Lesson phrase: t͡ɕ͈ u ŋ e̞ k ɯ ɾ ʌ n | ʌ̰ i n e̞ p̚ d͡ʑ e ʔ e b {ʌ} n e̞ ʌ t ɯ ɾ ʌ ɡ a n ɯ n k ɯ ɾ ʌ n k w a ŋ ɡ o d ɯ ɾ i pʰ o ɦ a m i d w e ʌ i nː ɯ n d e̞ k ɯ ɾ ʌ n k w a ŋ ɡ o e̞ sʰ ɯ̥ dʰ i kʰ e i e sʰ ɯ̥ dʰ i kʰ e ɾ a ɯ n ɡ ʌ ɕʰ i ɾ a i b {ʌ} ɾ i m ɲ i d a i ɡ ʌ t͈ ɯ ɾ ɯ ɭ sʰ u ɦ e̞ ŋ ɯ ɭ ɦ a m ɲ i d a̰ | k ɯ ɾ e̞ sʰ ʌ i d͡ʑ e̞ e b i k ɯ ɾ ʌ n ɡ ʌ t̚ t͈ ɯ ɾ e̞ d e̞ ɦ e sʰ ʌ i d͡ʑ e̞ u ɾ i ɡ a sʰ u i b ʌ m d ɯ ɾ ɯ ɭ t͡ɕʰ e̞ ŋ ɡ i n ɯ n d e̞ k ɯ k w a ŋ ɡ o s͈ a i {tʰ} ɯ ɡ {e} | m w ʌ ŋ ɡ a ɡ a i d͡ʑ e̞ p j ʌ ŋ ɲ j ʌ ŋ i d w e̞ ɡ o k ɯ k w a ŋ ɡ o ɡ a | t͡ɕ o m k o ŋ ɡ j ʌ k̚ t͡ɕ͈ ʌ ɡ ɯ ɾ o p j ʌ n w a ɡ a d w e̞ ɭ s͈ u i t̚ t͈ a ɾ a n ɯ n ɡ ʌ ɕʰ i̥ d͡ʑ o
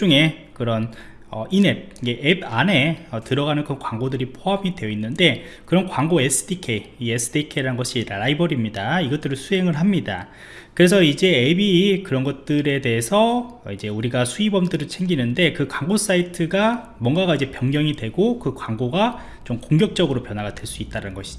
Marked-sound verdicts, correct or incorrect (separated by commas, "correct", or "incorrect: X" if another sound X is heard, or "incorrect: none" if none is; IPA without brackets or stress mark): incorrect: a, correct, correct, incorrect: a